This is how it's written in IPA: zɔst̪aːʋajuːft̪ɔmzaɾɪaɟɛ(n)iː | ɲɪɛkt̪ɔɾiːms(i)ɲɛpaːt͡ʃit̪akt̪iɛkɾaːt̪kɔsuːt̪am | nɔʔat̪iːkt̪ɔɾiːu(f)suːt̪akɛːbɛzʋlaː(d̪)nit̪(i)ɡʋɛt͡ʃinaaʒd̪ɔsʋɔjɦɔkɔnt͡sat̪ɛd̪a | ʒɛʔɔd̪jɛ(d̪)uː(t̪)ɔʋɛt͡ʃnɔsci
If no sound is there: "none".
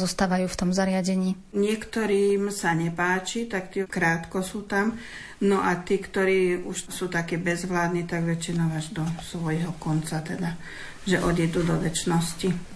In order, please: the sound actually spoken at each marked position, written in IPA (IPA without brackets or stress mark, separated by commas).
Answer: ɲ, a, ʃ, d̪, a, d̪, d̪